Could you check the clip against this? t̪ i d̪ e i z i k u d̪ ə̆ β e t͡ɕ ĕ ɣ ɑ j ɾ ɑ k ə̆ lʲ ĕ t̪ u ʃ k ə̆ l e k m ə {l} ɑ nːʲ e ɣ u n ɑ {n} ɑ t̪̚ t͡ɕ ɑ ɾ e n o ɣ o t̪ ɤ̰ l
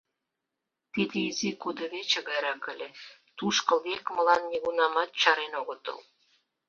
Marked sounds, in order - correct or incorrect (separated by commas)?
correct, incorrect